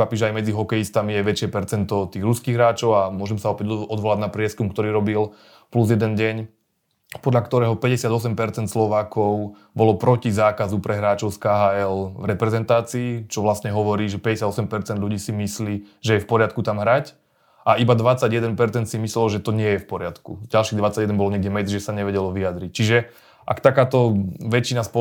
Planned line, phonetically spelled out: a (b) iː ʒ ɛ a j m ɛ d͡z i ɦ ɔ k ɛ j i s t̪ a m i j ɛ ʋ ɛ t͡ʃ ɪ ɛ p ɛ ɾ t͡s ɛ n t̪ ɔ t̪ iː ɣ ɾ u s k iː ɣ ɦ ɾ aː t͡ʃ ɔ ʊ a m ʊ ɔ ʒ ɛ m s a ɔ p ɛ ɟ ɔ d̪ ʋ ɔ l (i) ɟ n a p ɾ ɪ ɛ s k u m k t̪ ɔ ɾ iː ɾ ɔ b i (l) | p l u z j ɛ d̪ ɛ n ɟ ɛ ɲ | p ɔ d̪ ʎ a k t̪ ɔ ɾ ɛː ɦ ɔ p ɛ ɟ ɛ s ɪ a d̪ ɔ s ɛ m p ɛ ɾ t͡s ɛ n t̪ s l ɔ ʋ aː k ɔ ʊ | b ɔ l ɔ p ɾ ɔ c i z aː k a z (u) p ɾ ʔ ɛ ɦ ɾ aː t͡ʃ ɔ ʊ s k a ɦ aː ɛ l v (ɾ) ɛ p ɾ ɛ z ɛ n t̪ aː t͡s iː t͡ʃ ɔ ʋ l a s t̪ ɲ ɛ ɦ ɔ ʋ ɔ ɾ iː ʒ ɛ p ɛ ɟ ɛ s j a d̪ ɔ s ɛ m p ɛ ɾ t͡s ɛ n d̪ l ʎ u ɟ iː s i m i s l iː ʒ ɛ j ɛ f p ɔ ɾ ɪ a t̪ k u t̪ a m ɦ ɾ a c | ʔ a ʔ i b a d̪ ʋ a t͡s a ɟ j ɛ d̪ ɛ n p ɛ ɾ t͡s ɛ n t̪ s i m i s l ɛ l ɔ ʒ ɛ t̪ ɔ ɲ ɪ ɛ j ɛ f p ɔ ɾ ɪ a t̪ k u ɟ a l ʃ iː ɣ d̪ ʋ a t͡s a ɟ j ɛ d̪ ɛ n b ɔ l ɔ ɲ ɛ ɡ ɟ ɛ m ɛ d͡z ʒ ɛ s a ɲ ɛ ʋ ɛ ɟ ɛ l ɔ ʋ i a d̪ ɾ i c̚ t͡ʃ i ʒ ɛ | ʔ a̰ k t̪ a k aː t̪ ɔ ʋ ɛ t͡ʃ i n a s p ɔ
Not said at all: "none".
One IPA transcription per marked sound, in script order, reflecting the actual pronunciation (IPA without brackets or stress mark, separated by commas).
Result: p, a, l, u, ɾ